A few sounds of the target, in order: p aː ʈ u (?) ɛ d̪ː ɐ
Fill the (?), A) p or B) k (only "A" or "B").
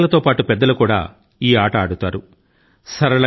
A